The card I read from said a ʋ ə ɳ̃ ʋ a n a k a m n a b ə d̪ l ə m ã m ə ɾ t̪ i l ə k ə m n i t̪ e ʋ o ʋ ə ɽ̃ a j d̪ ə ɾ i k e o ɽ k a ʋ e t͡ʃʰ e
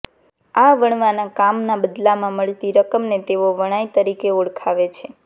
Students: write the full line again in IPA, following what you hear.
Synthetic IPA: a ʋ ə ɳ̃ ʋ a n a k a m n a b ə d̪ l a m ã m ə ɭ t̪ i ɾ ə k ə m n e t̪ e ʋ o ʋ ə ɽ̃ a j t̪ ə ɾ i k e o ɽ kʰ a ʋ e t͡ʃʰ e

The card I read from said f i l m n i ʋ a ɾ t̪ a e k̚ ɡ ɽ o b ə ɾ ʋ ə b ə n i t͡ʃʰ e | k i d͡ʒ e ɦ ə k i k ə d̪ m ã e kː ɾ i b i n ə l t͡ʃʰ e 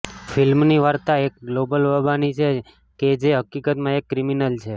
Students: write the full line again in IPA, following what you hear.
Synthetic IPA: f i l m n i ʋ a ɾ t̪ a e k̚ ɡ l o b ə l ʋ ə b a n i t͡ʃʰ e | k e d͡ʒ e ɦ ə k i k ə t̪ m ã e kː ɾ i m i n ə l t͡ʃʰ e

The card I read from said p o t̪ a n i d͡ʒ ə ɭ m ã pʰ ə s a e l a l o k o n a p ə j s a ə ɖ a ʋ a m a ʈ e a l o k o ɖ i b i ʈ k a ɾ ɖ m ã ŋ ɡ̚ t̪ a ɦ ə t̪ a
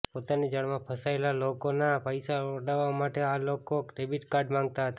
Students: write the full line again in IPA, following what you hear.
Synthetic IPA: p o t̪ a n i d͡ʒ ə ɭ m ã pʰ ə s a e l a l o k o n a p ə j s a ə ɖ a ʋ a m a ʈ e a l o k o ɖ e b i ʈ k a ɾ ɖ m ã ŋ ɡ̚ t̪ a ɦ ə t̪ a

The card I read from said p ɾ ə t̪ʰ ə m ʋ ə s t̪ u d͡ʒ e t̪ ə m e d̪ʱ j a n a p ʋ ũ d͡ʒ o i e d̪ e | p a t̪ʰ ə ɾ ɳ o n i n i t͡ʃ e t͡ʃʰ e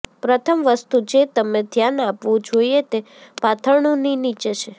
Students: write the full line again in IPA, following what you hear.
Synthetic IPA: p ɾ ə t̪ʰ ə m ʋ ə s t̪ u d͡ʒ e t̪ ə m e d̪ʱ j a n a p ʋ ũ d͡ʒ o i e t̪ e | p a t̪ʰ ə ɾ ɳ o n i n i t͡ʃ e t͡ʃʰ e

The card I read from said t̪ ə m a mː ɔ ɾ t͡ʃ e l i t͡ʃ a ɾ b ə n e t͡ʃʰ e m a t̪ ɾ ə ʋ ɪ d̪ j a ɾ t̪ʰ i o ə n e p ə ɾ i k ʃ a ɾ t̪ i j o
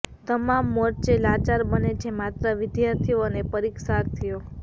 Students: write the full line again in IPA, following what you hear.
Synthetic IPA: t̪ ə m a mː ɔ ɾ t͡ʃ e l a t͡ʃ a ɾ b ə n e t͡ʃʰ e m a t̪ ɾ ə ʋ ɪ d̪ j a ɾ t̪ʰ i o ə n e p ə ɾ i k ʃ a ɾ t̪ʰ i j o

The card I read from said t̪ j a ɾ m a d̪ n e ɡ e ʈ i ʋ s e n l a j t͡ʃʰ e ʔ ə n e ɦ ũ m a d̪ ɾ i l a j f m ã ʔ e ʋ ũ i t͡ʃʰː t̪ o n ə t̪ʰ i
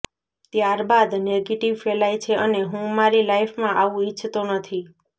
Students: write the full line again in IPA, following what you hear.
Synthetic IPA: t̪ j a ɾ b a d̪ n e ɡ e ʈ i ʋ f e l a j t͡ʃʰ e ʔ ə n e ɦ ũ m a ɾ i l a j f m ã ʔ a ʋ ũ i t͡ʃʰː t̪ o n ə t̪ʰ i

